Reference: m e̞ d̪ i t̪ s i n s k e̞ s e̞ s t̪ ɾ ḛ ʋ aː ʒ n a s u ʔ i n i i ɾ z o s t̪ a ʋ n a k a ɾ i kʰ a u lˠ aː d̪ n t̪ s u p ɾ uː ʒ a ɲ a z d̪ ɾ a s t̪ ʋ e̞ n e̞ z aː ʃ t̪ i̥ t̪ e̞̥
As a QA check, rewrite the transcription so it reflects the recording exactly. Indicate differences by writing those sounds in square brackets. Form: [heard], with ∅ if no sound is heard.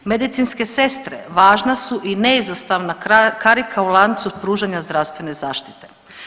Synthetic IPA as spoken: m e̞ d̪ i t̪ s i n s k e̞ s e̞ s t̪ ɾ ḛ ʋ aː ʒ n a s u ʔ i n [e] i [∅] z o s t̪ a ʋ n a k a ɾ i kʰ a u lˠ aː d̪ n t̪ s u p ɾ uː ʒ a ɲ a z d̪ ɾ a s t̪ ʋ e̞ n e̞ z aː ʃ t̪ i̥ t̪ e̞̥